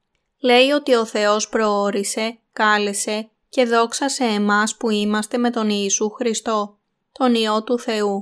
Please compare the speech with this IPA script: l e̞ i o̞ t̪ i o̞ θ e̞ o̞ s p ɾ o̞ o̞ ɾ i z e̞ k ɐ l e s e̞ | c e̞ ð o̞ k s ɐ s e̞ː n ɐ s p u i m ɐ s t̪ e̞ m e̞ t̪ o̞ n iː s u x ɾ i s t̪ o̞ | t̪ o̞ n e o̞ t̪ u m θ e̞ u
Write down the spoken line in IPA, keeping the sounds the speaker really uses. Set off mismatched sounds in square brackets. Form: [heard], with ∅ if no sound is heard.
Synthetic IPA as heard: l e̞ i o̞ t̪ i o̞ θ e̞ o̞ s p ɾ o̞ o̞ ɾ i [s] e̞ k ɐ l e s e̞ | c e̞ ð o̞ k s ɐ s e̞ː [m] ɐ s p u i m ɐ s t̪ e̞ m e̞ t̪ o̞ n iː s u x ɾ i s t̪ o̞ | t̪ o̞ n [i] o̞ t̪ u [∅] θ e̞ u